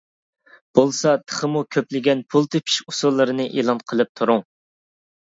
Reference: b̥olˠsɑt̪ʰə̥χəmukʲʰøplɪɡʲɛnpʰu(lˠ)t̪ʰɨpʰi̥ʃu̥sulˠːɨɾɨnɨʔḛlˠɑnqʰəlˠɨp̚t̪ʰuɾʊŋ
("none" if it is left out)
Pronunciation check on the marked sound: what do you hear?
lˠ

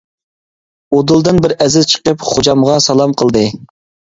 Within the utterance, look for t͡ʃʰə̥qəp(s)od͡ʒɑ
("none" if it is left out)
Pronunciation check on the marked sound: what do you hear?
χ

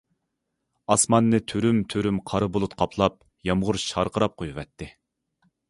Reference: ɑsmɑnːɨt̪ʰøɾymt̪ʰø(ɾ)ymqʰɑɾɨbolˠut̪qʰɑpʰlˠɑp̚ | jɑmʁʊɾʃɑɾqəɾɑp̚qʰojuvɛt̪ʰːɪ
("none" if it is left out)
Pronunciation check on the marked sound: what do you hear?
ɾ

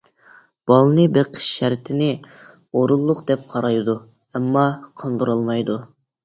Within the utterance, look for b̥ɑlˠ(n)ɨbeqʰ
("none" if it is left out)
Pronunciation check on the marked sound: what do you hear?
n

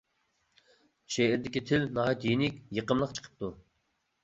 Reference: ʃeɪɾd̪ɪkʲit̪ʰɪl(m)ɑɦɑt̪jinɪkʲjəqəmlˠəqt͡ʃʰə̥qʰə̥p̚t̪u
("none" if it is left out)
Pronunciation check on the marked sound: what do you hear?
n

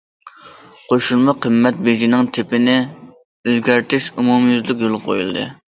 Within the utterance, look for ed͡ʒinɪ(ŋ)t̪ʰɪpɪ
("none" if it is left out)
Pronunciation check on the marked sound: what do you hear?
ŋ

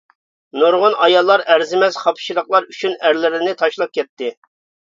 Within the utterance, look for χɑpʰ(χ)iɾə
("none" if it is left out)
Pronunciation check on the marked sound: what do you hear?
ʃ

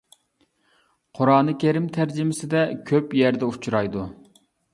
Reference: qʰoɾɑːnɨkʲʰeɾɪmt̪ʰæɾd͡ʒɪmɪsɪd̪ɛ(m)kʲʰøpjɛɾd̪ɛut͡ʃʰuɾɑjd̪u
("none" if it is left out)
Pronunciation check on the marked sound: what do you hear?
none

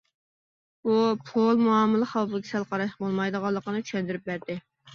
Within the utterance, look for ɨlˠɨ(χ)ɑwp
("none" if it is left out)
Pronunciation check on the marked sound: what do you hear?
χ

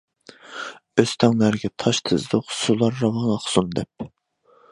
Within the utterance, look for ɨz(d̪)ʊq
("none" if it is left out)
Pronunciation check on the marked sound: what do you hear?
d̪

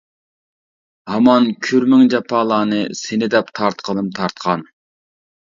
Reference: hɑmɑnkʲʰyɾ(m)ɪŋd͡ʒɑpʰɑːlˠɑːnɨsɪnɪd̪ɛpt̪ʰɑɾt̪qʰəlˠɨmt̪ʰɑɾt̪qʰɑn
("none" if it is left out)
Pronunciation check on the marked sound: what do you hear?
m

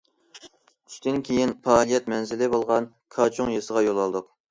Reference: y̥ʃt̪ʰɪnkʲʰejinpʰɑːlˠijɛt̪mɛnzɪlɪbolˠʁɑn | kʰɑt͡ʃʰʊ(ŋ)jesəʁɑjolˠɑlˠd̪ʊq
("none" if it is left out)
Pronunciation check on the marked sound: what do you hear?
ŋ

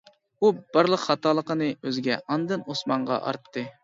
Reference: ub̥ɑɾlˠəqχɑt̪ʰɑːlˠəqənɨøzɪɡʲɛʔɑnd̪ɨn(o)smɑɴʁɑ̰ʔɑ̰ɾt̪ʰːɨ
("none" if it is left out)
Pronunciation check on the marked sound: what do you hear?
o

